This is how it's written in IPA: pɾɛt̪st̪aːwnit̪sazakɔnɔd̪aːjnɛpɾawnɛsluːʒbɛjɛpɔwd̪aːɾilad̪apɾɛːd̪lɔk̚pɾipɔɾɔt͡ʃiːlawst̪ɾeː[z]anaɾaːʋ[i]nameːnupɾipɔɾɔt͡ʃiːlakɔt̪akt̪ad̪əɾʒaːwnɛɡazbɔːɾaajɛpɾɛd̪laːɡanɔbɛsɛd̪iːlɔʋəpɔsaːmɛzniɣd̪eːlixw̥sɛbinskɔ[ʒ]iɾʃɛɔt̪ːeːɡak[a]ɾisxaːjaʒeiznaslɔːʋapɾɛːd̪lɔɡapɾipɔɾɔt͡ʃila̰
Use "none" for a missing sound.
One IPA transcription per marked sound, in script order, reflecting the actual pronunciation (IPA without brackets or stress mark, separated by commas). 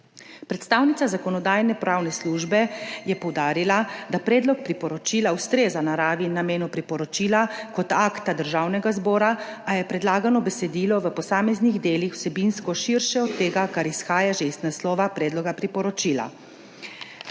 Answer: z, i, ʃ, a